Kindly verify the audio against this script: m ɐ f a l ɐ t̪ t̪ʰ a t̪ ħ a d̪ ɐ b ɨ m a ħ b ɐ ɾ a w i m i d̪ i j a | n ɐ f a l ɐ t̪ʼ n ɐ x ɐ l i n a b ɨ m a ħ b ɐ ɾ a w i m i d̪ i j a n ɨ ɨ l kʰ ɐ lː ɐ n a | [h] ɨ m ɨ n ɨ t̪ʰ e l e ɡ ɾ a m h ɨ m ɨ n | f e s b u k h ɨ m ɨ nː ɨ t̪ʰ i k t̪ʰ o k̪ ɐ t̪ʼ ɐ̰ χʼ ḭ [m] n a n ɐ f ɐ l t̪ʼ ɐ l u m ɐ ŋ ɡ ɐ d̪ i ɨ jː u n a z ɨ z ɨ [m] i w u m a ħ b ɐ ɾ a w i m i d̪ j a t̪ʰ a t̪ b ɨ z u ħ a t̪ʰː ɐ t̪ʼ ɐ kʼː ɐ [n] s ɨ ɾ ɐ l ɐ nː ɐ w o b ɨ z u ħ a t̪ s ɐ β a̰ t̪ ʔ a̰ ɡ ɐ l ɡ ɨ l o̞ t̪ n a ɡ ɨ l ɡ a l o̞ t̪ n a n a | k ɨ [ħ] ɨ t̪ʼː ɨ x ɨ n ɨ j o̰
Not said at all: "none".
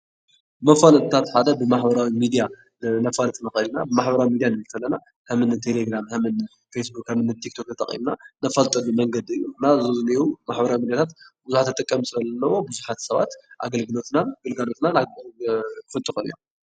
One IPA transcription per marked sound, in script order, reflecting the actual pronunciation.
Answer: h, m, n, m, f

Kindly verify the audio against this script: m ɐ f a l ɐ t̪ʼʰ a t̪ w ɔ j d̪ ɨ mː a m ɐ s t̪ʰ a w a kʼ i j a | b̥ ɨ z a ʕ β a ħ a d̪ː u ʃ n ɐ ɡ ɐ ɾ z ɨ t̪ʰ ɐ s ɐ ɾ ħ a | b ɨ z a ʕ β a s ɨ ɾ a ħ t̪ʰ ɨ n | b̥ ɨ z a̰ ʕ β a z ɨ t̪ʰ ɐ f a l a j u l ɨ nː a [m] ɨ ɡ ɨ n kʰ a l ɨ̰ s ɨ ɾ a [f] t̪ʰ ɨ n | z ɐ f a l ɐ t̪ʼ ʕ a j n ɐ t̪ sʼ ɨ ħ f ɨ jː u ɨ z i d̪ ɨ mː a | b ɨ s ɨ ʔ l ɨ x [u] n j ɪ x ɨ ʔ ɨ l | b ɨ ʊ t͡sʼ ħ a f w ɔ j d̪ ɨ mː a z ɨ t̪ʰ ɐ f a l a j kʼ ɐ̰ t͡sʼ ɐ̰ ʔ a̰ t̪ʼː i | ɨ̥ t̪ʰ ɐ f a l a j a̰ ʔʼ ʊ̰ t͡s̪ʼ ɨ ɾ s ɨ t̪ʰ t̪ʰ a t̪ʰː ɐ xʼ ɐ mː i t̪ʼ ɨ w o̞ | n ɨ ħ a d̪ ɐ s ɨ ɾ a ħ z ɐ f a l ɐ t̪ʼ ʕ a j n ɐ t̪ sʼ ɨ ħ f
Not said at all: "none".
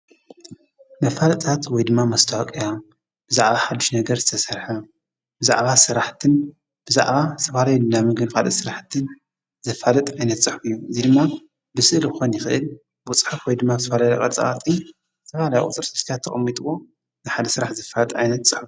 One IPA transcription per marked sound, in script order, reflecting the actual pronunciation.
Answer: m, ħ, o

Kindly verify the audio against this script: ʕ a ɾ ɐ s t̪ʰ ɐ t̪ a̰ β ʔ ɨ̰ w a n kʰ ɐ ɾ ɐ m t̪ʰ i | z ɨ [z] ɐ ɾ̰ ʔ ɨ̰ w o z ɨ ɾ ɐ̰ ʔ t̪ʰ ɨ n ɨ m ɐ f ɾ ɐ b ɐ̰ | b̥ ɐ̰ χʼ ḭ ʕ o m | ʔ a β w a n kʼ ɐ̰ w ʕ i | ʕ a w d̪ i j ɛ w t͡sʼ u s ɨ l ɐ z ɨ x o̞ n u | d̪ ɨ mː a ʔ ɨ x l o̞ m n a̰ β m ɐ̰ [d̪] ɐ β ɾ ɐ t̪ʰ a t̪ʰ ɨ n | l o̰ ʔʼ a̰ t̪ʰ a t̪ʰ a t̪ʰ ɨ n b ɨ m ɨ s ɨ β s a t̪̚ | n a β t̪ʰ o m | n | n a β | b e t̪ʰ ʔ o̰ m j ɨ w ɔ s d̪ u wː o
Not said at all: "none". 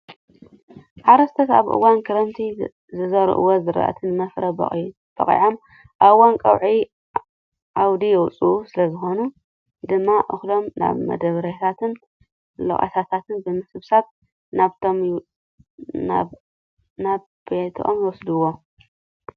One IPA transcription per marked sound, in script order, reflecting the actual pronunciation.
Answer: z, d̪

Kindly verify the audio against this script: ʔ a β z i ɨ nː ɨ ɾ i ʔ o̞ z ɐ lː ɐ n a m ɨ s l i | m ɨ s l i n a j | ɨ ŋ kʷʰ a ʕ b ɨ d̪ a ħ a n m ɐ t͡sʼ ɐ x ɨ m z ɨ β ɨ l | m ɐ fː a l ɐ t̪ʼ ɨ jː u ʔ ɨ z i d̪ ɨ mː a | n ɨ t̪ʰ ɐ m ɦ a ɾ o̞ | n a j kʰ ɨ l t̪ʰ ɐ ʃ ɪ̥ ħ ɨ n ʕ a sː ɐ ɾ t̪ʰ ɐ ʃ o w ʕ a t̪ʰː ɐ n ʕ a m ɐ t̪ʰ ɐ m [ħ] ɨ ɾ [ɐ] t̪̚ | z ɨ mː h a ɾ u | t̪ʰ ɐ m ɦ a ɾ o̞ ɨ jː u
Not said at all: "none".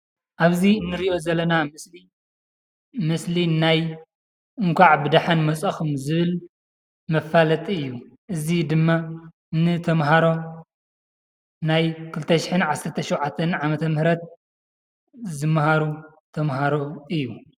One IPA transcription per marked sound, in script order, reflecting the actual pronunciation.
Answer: h, ɐ

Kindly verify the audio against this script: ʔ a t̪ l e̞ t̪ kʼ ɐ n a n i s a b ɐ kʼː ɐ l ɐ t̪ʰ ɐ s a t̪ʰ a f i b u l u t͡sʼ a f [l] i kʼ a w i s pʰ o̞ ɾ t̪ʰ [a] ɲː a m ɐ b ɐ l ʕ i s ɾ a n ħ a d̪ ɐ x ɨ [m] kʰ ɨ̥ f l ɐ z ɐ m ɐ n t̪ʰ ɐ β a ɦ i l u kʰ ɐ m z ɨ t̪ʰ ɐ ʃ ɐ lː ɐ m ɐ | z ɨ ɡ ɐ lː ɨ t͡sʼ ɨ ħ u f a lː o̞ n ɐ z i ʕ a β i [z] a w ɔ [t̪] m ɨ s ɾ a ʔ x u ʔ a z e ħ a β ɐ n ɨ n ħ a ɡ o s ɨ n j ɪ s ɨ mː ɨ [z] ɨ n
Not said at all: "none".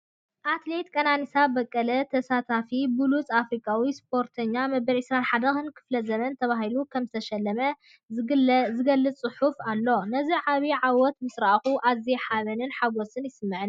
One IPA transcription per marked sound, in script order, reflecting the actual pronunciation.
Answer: ɾ, ɐ, n, ʕ, t̪, ʕ

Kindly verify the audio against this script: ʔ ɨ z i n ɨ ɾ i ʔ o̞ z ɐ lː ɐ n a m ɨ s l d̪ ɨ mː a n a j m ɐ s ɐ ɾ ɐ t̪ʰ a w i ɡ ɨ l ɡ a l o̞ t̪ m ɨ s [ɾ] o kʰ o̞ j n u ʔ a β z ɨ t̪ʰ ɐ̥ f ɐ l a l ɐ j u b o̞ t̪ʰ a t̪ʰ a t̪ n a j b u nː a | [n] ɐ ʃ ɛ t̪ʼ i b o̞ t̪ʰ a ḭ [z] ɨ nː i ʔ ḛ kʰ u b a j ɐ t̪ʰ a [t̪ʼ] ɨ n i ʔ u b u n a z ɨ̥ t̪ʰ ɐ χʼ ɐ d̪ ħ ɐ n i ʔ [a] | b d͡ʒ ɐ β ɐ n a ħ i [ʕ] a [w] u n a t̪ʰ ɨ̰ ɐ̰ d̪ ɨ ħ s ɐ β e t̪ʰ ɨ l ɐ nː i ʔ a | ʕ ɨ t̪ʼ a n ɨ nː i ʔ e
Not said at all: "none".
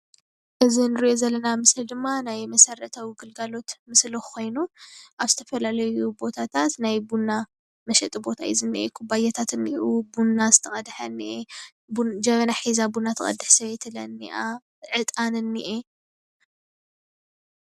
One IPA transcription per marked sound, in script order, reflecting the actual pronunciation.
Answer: l, m, z, t̪, e, z, b

